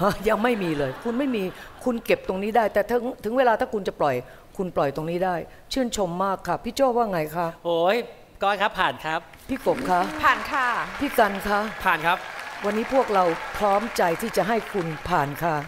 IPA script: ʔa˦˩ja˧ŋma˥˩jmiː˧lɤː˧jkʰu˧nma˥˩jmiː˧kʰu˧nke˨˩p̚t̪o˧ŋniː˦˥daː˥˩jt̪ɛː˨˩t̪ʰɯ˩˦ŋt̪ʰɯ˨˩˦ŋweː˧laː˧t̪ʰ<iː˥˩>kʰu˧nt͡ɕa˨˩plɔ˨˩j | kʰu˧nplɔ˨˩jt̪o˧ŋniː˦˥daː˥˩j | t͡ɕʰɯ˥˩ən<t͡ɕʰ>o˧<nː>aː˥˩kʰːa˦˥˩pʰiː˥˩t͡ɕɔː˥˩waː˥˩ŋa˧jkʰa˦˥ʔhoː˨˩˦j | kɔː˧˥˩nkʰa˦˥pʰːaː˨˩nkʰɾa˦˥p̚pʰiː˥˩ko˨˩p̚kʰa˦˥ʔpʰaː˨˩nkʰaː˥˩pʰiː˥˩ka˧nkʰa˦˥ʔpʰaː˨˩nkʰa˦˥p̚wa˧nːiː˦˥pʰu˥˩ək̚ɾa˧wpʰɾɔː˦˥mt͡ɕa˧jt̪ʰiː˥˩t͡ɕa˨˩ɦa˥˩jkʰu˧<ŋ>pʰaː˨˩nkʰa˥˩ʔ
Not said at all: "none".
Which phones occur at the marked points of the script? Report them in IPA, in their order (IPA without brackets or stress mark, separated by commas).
aː˥˩, t͡ɕʰ, mː, n